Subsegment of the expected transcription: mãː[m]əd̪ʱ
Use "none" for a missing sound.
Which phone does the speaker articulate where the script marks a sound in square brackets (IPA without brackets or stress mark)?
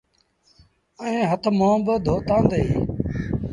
b